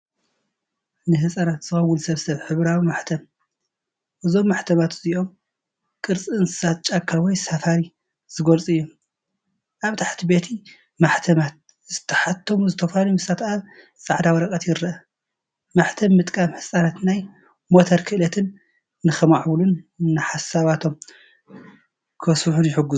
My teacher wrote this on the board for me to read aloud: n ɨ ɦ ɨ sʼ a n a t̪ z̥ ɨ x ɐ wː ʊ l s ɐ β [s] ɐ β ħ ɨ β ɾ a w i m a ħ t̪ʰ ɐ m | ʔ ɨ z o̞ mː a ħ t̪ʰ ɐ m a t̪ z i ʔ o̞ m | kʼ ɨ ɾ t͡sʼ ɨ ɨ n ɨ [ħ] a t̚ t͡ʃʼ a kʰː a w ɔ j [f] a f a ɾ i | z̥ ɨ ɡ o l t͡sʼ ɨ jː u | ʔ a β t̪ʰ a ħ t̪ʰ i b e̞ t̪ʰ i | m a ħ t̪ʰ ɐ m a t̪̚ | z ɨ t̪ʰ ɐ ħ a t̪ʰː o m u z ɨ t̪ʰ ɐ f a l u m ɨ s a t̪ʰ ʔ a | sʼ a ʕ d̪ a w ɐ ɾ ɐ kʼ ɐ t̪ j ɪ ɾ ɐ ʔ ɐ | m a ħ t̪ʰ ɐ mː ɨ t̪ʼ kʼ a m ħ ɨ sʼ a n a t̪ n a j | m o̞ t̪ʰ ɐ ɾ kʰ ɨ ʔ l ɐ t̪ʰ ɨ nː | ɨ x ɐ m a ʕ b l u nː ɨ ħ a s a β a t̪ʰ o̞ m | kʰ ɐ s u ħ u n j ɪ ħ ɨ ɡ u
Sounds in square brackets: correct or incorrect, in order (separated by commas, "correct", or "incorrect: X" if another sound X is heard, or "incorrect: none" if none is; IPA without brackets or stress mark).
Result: correct, incorrect: s, incorrect: s